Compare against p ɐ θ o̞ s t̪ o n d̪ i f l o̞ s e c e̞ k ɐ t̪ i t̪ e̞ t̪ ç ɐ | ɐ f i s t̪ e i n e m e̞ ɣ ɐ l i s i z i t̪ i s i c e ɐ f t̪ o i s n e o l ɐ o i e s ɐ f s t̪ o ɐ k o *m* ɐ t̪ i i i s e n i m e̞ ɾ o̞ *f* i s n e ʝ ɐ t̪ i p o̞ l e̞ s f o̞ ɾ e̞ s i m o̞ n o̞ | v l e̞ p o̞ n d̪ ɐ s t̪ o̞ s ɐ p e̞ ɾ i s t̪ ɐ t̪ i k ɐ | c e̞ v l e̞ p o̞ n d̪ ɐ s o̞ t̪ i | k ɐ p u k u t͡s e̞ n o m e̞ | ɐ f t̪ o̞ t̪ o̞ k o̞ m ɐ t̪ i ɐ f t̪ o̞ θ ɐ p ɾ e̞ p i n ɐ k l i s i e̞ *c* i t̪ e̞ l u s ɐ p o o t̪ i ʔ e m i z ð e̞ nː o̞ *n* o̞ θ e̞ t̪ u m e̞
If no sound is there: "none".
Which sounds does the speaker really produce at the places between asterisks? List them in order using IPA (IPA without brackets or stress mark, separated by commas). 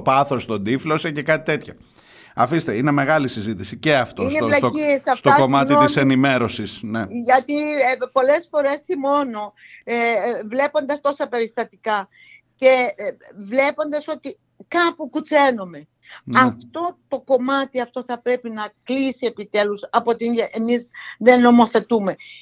m, s, p, m